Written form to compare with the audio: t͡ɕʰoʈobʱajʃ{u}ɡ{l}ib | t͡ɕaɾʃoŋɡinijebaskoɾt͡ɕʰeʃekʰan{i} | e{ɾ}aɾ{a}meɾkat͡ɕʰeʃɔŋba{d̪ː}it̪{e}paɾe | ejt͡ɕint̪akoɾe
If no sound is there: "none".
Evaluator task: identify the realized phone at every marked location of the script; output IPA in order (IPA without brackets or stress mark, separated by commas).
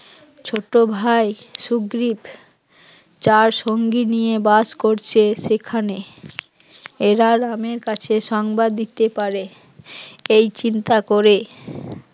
u, ɾ, e, ɾ, a, d̪ː, e